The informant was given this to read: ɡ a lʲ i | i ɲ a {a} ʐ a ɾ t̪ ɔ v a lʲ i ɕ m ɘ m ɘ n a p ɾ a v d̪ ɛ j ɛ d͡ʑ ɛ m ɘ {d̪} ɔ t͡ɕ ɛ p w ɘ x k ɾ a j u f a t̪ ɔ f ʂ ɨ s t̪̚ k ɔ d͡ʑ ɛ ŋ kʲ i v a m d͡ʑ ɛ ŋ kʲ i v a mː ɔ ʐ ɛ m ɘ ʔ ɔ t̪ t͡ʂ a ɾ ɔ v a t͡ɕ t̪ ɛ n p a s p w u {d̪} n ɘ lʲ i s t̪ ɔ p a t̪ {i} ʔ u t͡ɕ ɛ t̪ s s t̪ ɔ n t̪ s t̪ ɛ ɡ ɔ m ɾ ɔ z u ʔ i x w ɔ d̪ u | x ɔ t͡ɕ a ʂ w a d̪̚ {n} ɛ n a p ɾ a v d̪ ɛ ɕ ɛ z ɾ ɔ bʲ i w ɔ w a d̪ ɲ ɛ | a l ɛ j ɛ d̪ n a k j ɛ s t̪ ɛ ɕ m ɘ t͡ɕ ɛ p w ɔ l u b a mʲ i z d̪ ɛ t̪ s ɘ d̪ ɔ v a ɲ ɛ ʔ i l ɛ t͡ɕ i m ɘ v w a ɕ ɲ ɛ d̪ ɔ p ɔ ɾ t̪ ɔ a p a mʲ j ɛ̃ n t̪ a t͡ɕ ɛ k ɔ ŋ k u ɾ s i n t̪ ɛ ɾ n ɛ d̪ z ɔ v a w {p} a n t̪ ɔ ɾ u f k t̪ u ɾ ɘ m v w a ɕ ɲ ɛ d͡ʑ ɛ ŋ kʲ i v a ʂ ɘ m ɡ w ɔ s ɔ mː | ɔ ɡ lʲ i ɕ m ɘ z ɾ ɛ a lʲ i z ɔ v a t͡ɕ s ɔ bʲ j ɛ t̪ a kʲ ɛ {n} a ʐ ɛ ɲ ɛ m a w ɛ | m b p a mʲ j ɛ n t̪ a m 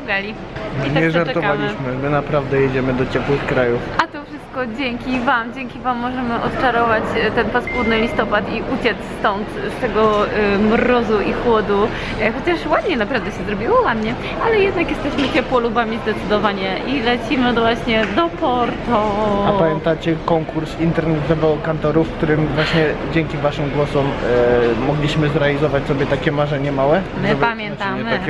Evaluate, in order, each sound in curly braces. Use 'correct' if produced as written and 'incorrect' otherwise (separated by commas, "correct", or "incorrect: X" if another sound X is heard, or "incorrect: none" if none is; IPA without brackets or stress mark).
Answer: incorrect: ɛ, correct, correct, correct, incorrect: ɲ, incorrect: k, incorrect: m